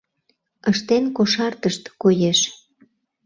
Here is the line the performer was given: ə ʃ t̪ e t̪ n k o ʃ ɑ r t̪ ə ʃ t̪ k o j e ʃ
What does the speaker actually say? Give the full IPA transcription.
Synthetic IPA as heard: ə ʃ t̪ e n k o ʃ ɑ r t̪ ə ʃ t̪ k o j e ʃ